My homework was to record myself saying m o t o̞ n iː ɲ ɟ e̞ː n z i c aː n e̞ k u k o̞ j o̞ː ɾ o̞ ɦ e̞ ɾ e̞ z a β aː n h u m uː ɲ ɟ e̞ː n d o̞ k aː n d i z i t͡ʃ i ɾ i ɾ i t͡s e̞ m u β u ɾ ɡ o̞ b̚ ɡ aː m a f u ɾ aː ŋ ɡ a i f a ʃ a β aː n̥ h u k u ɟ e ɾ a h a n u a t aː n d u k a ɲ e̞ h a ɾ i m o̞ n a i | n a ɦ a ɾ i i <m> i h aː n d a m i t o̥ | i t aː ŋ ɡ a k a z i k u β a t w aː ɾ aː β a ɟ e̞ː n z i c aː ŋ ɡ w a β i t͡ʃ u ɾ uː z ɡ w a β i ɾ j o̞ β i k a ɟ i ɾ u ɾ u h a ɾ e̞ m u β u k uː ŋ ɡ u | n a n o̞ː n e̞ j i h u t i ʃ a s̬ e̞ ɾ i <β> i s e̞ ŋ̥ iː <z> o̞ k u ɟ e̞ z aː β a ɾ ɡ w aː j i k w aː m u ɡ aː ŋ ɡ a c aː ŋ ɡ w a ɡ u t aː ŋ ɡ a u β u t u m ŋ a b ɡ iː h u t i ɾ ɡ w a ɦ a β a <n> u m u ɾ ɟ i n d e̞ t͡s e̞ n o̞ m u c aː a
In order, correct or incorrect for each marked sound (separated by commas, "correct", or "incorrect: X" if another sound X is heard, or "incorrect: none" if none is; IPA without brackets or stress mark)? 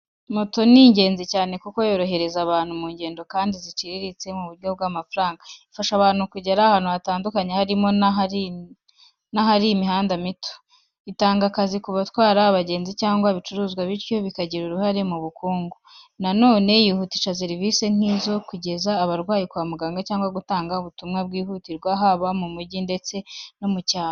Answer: correct, incorrect: v, correct, incorrect: m